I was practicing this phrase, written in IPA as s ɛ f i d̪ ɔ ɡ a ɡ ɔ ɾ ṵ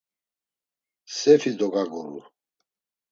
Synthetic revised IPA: s ɛ f i d̪ ɔ ɡ a ɡ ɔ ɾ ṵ